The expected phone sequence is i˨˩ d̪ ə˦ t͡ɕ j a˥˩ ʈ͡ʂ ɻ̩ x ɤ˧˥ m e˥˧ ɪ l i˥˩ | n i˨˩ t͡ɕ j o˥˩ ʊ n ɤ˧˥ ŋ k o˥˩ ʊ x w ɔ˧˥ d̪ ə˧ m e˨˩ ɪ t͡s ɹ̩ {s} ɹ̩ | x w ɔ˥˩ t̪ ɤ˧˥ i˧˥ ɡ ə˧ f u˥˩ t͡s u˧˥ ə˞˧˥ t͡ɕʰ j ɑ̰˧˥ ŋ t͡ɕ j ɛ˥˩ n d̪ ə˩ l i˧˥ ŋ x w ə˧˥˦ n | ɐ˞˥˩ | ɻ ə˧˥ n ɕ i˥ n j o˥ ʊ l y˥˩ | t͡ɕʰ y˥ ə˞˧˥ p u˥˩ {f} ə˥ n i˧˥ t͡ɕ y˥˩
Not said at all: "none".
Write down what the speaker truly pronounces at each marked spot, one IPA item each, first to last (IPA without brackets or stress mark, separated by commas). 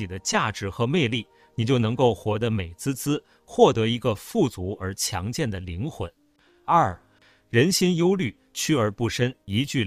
t͡s, ʂ